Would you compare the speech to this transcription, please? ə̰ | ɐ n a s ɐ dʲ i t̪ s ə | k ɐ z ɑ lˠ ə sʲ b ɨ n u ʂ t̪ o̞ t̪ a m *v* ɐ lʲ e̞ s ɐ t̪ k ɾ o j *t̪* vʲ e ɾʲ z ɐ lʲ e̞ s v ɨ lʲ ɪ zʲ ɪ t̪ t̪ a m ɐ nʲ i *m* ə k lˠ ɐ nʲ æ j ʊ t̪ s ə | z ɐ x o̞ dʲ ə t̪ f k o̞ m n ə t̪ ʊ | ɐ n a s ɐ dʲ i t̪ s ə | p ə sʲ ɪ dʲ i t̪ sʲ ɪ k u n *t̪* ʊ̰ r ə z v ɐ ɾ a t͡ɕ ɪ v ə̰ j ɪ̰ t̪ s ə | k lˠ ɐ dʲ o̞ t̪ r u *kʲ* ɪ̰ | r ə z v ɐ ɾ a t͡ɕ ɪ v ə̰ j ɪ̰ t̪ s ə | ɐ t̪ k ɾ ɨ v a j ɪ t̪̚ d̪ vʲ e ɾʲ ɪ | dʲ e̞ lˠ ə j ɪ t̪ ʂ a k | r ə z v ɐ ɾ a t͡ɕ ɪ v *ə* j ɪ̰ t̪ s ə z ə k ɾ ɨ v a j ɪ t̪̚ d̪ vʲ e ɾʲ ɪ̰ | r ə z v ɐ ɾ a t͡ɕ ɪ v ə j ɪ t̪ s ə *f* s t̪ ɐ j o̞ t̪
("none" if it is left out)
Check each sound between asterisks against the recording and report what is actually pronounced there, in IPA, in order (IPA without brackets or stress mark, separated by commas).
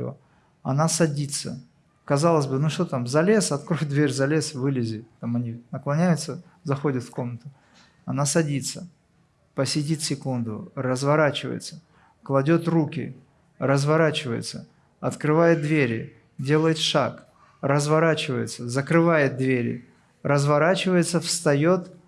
z, d̪, n, d̪, kʲ, ə, f